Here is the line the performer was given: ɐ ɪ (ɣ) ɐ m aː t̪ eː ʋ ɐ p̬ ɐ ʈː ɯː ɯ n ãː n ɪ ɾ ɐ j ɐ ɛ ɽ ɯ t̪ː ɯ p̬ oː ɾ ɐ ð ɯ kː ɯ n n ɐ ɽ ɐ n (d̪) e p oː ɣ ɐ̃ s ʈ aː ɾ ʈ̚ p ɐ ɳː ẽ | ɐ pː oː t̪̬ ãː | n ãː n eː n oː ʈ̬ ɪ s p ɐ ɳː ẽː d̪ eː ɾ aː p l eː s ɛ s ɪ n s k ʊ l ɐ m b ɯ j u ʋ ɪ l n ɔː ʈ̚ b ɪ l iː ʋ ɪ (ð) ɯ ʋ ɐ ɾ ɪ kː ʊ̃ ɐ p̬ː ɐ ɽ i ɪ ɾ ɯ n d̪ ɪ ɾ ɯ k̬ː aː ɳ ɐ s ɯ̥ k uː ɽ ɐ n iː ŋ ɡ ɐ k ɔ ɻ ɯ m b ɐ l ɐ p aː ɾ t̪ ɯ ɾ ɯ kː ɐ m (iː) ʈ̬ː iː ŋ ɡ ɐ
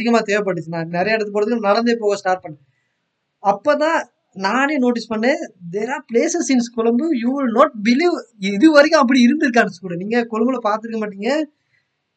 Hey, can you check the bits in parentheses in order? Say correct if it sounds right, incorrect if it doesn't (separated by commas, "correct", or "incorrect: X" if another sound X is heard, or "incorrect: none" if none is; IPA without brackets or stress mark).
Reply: correct, correct, correct, incorrect: aː